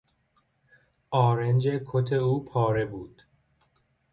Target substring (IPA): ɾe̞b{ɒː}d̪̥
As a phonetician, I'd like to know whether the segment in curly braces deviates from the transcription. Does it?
yes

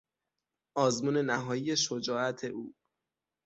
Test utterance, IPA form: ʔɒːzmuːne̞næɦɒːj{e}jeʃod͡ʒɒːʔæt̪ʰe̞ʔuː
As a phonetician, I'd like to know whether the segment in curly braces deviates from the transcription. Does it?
yes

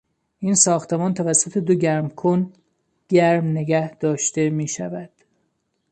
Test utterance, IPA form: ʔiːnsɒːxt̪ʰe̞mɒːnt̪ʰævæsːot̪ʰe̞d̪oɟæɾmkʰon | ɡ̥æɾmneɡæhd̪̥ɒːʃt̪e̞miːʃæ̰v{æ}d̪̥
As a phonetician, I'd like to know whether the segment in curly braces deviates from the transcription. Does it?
no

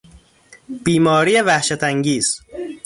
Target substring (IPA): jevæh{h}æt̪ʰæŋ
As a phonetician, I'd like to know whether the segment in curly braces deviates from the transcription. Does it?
yes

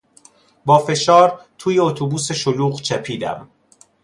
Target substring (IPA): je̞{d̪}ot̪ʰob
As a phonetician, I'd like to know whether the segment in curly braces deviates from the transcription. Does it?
yes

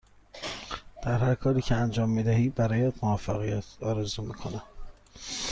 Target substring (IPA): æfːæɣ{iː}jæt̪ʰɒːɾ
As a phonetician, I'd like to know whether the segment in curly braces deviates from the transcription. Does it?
yes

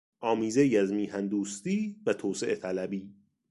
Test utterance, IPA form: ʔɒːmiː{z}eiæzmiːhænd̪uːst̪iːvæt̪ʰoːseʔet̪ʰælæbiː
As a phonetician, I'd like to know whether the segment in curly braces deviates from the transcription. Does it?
no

